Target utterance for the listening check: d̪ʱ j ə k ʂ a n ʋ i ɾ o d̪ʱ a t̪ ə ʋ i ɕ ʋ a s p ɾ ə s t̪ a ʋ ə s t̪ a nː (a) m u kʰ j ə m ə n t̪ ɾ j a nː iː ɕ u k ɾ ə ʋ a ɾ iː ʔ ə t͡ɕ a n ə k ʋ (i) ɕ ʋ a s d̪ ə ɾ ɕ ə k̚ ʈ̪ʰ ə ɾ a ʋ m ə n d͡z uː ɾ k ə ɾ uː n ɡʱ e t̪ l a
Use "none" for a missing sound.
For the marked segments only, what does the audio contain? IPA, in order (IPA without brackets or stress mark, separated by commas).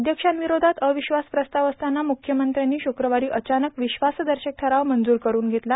a, i